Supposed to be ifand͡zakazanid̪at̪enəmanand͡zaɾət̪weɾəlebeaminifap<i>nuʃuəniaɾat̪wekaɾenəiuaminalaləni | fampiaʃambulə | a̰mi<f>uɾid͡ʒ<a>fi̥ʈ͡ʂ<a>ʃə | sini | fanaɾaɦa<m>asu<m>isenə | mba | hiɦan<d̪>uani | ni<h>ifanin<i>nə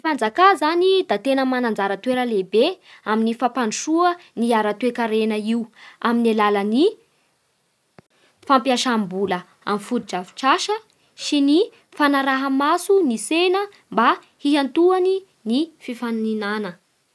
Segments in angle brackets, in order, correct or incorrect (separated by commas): incorrect, correct, correct, correct, correct, incorrect, incorrect, incorrect, incorrect